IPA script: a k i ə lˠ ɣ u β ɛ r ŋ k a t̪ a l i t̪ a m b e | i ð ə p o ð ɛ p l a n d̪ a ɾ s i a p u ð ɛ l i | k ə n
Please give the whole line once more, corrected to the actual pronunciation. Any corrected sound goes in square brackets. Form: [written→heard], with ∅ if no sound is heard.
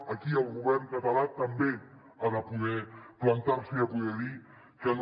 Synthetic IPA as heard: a k i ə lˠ ɣ u β ɛ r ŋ k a t̪ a l [i→a] t̪ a m b e | [i→a] ð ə p [o→u] ð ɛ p l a n [d̪→t̪] a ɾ s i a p u ð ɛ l i | k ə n